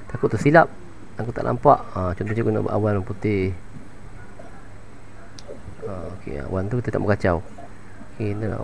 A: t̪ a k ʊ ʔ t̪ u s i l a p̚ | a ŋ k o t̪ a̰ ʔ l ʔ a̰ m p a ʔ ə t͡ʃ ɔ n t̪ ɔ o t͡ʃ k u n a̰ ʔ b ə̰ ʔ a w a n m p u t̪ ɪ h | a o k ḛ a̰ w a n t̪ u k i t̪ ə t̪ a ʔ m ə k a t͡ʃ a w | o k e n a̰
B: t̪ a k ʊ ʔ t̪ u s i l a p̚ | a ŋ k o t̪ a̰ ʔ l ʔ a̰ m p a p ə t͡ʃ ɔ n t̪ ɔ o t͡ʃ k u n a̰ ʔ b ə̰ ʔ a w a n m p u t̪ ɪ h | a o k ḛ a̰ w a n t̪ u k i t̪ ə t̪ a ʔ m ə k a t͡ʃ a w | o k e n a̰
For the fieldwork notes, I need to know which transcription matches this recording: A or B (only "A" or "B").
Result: A